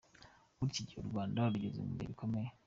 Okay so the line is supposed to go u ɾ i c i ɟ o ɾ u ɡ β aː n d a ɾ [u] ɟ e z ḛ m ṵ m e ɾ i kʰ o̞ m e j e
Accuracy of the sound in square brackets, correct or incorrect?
correct